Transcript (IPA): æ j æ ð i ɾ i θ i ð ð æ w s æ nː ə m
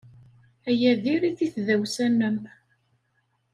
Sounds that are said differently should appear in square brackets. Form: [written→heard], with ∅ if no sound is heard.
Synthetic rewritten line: æ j æ ð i ɾ i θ i [ð→θ] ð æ w s æ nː ə m